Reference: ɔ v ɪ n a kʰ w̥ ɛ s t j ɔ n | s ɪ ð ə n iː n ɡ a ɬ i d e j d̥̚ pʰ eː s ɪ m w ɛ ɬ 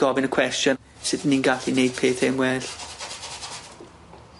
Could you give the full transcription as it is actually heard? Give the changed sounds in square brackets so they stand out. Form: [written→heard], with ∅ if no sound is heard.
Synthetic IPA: ɔ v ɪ n [a→ə] kʰ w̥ ɛ s t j ɔ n | s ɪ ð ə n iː n ɡ a ɬ i [d→n] e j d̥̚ pʰ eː [s→θ] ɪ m w ɛ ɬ